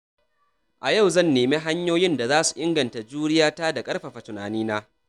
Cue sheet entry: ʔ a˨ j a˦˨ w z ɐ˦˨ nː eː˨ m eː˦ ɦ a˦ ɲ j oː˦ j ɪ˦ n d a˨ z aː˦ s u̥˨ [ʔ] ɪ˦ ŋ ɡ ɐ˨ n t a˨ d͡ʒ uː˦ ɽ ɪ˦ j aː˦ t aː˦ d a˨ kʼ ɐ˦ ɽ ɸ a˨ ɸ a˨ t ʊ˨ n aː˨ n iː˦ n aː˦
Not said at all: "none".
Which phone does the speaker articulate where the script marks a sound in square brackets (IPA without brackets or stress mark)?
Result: ʔ